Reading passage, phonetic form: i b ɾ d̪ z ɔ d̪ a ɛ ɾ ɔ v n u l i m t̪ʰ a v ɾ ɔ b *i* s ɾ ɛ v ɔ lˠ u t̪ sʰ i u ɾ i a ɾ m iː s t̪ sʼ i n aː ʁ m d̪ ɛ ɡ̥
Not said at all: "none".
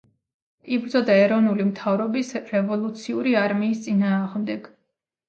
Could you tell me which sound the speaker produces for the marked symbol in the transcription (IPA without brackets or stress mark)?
i